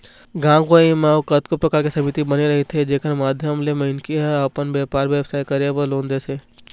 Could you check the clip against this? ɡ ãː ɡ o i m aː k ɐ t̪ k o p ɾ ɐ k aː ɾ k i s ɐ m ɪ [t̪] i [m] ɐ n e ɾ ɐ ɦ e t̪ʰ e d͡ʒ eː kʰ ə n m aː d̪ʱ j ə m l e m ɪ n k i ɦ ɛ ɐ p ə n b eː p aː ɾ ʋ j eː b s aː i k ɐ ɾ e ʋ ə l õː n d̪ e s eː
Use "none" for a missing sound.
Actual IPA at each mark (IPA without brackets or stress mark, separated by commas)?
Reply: t̪, b